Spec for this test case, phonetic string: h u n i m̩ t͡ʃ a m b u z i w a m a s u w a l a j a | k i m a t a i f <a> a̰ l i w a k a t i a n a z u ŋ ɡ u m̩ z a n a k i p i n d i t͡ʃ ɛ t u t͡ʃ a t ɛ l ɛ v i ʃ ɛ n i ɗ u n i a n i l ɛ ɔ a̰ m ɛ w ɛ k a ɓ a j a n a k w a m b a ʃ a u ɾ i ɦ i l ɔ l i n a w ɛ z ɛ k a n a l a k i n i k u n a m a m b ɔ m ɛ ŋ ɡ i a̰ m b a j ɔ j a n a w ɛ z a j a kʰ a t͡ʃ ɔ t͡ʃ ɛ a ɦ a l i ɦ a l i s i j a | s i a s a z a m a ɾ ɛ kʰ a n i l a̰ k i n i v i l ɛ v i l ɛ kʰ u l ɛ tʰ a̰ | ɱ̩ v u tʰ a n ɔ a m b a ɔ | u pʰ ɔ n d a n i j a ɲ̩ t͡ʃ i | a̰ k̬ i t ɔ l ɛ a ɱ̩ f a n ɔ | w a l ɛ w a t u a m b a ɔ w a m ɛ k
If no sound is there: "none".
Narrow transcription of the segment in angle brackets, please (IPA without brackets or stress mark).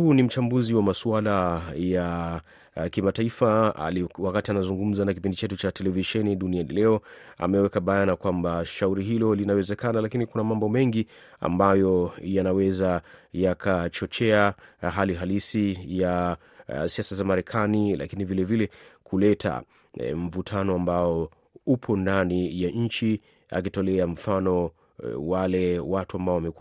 a